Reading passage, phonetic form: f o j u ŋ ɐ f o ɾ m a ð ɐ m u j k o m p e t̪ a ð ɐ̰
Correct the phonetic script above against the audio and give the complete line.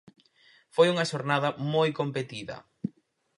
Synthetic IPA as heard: f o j u ŋ ɐ ʃ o ɾ n a ð ɐ m o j k o m p e t̪ i ð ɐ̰